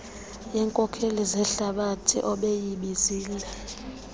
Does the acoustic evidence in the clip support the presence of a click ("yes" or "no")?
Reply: no